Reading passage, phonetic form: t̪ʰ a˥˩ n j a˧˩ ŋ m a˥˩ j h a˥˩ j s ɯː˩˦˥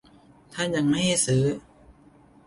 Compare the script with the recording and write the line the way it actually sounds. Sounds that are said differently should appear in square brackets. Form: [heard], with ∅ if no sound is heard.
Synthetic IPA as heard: t̪ʰ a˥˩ n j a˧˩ ŋ m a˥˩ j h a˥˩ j s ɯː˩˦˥